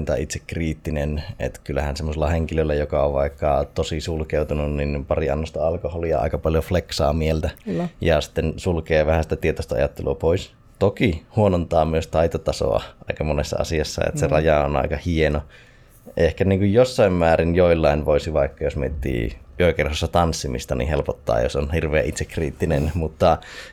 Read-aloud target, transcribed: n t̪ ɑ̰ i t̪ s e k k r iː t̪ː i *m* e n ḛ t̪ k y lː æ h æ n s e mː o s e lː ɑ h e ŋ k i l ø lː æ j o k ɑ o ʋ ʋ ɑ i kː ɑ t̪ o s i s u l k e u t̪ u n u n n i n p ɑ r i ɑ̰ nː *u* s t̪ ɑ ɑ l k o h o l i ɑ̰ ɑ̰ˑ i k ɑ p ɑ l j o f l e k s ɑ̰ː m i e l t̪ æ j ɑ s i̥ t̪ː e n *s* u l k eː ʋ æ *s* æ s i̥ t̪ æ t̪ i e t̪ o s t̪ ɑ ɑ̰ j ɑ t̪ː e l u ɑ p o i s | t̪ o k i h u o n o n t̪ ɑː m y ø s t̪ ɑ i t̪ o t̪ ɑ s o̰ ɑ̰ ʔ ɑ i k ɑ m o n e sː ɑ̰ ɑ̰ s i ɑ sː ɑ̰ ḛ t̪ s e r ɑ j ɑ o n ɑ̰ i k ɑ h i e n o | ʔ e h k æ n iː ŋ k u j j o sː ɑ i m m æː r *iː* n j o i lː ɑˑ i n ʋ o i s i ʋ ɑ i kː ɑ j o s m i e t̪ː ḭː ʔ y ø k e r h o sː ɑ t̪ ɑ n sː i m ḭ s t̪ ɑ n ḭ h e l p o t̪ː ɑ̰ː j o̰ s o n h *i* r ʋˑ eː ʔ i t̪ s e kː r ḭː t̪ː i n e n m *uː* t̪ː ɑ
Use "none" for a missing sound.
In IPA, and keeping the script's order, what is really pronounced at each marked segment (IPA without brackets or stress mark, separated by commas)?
n, o, s, h, i, i, u